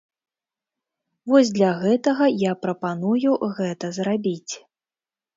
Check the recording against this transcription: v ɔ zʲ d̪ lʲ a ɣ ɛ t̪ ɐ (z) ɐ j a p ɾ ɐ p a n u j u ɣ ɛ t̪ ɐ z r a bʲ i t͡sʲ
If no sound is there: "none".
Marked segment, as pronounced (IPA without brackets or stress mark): ɣ